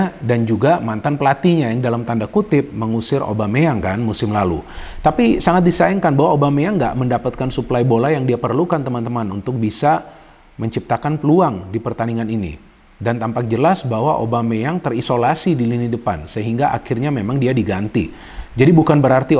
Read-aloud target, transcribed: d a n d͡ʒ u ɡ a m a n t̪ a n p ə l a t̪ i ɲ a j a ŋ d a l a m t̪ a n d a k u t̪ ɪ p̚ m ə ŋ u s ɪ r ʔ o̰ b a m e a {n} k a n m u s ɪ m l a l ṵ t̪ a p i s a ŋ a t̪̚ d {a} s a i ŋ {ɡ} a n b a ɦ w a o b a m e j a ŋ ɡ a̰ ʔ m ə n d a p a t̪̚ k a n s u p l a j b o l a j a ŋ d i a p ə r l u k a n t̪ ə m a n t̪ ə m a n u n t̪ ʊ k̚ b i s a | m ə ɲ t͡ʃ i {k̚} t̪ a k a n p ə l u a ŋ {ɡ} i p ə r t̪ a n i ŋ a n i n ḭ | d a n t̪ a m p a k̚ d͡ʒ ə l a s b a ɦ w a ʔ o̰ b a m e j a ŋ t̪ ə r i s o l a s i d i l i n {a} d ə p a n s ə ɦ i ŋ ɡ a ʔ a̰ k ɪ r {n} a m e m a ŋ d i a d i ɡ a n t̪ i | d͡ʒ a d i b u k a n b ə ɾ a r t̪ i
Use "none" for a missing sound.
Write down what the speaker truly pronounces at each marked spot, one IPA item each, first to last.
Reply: ŋ, i, k, p̚, d, i, ɲ

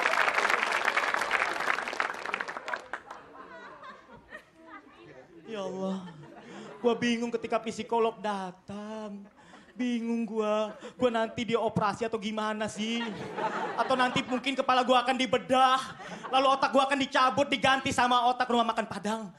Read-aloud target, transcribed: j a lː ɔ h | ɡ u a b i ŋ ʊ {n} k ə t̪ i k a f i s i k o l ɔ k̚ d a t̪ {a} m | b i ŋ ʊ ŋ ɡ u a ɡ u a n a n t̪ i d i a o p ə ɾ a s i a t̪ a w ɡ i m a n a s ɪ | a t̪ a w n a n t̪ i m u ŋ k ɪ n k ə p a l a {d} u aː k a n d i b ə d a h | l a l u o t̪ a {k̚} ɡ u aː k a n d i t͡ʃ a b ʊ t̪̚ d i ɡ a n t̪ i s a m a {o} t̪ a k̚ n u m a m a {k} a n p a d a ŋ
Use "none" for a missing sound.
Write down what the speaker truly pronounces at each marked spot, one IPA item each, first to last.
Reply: ŋ, a, ɡ, k̚, o, k

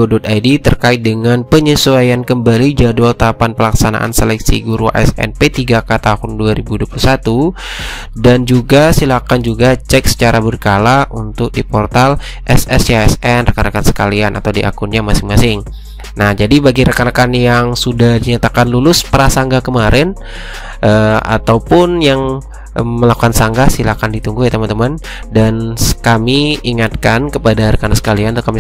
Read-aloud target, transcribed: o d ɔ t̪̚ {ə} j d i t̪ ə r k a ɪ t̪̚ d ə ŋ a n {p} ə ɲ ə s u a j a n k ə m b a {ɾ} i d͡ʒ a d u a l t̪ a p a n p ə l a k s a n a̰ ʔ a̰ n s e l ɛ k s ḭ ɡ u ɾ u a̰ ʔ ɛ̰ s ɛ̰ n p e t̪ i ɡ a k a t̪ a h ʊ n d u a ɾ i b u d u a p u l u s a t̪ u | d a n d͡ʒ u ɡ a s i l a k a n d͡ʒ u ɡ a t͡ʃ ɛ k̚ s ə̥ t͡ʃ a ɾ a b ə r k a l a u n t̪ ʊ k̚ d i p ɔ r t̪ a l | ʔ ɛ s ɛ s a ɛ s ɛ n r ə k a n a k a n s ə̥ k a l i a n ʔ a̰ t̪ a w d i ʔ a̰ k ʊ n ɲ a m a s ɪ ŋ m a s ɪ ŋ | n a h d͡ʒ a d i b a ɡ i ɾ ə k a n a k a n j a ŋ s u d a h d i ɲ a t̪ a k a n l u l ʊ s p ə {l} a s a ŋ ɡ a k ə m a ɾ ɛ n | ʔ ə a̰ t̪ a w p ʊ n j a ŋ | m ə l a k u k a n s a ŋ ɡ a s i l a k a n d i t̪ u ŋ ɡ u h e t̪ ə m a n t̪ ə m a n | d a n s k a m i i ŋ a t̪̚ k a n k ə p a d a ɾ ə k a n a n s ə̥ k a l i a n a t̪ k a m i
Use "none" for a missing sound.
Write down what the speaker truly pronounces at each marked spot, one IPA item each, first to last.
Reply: a, p, l, ɾ

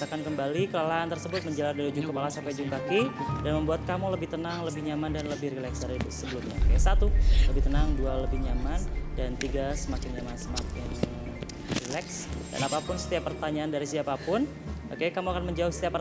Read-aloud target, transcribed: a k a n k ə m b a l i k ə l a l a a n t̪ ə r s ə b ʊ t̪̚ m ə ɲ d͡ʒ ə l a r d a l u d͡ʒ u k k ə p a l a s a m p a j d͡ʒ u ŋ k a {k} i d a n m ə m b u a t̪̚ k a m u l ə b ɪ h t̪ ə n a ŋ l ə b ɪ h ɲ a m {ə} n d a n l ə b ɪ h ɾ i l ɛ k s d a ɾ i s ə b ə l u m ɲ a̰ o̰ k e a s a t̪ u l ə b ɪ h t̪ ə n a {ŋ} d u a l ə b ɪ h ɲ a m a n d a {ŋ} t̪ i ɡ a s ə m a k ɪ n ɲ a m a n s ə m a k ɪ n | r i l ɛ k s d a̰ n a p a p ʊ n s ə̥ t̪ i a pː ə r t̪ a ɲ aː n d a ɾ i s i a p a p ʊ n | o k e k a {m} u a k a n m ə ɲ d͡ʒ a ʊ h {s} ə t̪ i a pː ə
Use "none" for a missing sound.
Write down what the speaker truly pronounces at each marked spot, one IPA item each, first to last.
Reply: k, a, ŋ, n, m, s

